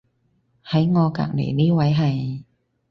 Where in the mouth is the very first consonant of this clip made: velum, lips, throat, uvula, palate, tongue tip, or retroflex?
throat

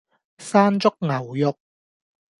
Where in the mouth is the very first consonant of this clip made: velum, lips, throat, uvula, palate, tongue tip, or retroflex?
tongue tip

